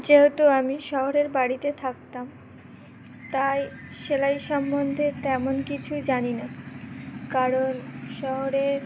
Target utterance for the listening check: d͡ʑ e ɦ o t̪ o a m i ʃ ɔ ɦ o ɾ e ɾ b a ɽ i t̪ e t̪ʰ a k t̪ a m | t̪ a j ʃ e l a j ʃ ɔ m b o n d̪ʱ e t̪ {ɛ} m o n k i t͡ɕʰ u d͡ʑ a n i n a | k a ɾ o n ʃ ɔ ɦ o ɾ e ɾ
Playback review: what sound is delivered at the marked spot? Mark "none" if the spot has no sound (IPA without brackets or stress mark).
ɛ